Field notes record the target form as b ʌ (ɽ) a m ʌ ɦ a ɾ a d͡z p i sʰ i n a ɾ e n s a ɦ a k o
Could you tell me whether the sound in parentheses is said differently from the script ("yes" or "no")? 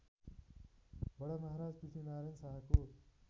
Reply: no